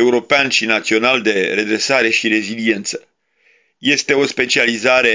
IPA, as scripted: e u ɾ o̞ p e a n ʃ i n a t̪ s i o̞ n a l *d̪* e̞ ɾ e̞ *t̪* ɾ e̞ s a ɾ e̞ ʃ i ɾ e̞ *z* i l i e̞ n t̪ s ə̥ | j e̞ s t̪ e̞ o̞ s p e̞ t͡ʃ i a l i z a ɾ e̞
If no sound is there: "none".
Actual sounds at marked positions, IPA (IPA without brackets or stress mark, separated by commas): d̪, d̪, z